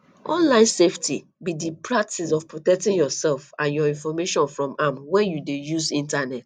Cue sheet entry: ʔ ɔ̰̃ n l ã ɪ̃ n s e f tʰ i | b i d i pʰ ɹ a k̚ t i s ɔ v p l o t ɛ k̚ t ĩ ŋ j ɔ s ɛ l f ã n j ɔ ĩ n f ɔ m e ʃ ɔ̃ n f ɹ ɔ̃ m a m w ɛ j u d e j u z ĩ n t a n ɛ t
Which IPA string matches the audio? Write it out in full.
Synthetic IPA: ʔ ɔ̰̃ n l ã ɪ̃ n s e f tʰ i | b i d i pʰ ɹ a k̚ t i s ɔ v p ɹ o t ɛ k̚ t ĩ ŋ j ɔ s ɛ l f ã n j ɔ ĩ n f ɔ m e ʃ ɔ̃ n f ɹ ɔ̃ m a m w ɛ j u d e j u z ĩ n t a n ɛ t